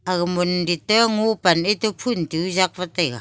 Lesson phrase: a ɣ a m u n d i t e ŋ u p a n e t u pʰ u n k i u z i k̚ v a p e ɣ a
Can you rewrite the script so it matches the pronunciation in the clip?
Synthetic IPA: a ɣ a m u n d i t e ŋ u p a n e t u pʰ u n t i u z a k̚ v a t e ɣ a